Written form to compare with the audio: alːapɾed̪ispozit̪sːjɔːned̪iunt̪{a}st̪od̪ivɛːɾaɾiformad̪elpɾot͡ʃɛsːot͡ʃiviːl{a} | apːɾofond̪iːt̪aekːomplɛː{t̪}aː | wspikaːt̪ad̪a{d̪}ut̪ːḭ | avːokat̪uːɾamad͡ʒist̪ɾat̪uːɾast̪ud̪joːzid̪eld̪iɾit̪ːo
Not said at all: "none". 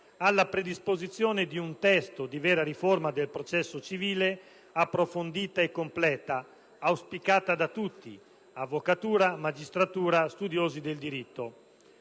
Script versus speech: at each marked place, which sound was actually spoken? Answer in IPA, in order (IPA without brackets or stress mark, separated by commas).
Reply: ɛ, e, t̪, t̪